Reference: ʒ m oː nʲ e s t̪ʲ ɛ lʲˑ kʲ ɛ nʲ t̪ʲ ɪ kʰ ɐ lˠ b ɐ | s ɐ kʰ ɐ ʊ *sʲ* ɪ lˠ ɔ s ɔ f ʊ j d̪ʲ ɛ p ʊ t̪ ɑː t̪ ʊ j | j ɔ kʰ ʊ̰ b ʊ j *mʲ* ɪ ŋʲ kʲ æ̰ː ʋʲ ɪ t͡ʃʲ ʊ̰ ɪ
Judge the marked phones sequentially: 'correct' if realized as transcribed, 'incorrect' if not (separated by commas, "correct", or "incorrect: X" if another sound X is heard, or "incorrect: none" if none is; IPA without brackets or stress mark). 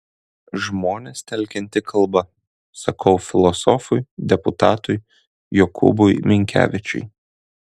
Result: incorrect: fʲ, correct